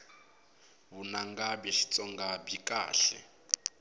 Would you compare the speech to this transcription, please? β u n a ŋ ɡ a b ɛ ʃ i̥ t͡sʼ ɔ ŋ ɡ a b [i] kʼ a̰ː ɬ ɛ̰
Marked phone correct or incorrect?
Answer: correct